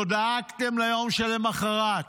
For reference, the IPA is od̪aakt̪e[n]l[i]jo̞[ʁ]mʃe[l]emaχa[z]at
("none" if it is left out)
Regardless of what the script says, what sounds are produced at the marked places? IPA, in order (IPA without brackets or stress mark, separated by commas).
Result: m, a, none, l, ʁ